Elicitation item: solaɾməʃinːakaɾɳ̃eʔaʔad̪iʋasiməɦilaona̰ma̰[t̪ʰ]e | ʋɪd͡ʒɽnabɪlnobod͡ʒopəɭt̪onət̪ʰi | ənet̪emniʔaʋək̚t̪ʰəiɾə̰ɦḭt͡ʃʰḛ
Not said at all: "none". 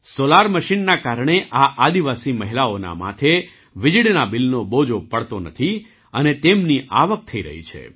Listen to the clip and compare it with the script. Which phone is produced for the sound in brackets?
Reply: t̪ʰ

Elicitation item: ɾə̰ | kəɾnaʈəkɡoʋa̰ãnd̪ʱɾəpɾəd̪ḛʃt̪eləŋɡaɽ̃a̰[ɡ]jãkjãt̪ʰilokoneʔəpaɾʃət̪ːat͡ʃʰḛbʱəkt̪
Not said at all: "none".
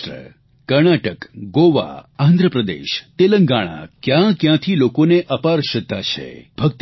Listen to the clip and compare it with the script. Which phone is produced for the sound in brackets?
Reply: k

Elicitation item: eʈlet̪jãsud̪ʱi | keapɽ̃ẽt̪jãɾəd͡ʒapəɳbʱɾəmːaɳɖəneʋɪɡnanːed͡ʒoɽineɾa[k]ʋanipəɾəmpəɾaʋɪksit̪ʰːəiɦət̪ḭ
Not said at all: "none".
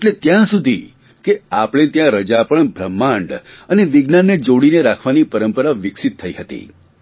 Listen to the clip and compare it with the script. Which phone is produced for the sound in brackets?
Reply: kʰ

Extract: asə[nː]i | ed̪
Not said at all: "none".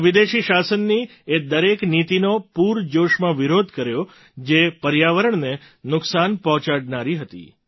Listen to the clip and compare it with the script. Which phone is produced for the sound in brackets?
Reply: nː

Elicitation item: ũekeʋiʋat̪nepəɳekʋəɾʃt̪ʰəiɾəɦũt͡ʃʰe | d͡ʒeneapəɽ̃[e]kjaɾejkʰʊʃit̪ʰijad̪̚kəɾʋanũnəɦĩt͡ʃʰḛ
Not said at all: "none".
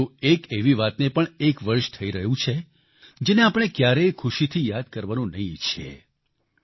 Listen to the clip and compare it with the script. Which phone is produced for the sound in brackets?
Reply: e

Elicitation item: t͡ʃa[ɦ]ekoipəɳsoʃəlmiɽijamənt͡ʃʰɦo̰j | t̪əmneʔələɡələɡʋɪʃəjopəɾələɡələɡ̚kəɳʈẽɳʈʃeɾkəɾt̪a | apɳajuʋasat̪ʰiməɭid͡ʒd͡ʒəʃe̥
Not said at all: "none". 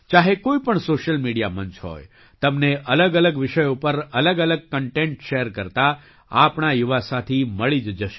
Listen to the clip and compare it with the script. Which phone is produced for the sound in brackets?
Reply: ɦ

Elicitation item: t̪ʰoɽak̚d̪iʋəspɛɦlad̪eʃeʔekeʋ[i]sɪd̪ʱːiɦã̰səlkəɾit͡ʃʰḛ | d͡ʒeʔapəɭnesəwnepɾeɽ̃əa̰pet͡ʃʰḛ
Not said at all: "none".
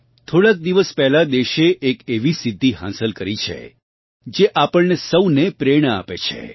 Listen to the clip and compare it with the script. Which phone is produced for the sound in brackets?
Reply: i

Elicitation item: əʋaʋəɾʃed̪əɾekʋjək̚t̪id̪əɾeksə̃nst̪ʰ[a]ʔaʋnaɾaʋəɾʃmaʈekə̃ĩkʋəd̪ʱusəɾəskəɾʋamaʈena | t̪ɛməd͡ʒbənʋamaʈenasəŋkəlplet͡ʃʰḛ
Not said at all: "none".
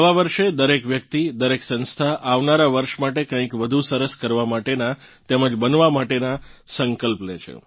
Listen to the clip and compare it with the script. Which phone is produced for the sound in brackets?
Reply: a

